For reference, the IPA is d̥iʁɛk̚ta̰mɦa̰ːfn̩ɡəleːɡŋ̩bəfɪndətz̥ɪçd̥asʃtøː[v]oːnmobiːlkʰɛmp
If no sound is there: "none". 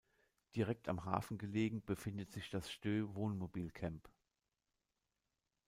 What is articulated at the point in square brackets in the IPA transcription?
v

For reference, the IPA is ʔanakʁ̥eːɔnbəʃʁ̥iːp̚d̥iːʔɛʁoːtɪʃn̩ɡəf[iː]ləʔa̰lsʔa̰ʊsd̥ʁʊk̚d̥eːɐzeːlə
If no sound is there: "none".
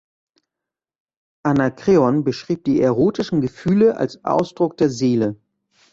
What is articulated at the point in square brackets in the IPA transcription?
yː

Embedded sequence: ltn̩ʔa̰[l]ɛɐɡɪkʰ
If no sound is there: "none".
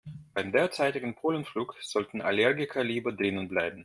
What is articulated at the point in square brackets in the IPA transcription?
l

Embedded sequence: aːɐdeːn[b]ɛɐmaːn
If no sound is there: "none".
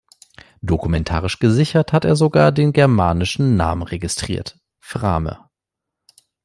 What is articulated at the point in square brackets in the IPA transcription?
ɡ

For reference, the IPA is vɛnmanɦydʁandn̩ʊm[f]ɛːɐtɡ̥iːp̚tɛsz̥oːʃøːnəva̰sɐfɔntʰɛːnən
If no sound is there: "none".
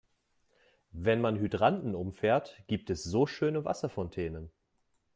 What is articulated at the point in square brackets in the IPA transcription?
f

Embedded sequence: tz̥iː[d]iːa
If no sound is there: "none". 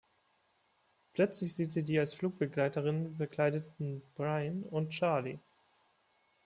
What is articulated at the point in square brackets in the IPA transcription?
d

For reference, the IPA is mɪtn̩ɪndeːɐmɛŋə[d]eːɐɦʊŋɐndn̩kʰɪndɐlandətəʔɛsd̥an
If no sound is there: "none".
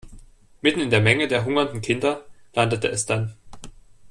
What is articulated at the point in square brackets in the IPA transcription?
d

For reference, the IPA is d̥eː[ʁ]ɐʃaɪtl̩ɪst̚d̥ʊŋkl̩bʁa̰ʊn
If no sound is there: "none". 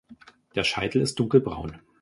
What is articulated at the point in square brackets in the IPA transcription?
none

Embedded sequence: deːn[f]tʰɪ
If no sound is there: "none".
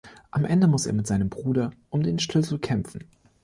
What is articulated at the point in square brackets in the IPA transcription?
ʃ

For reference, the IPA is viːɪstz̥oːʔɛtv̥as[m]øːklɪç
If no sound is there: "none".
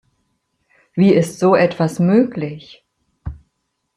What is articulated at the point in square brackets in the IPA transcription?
m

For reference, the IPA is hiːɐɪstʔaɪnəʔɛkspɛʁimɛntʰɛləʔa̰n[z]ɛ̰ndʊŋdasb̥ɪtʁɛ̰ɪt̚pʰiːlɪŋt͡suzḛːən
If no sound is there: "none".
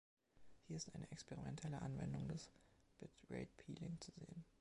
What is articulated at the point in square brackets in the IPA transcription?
v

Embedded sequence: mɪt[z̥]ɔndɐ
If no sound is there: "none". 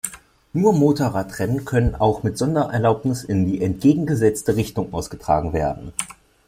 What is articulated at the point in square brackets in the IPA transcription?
z̥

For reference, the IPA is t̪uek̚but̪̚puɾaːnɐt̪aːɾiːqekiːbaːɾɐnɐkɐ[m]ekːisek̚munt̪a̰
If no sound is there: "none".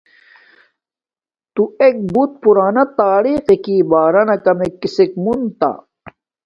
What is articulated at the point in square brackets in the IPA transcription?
m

